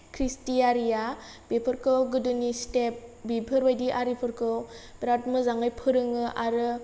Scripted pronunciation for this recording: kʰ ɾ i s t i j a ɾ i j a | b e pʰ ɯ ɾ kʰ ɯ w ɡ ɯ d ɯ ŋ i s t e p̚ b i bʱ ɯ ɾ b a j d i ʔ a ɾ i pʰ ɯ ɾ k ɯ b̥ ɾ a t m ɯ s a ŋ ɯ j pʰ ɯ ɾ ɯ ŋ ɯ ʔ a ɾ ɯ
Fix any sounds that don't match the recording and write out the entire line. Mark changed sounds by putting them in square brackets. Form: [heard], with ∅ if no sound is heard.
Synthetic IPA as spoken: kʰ ɾ i s t i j a ɾ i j a | b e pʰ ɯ ɾ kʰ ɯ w ɡ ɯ d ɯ [n] i s t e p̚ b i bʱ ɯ ɾ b a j d i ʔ a ɾ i pʰ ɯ ɾ k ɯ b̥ ɾ a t m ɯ [z] a ŋ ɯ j pʰ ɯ ɾ ɯ ŋ ɯ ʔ a ɾ ɯ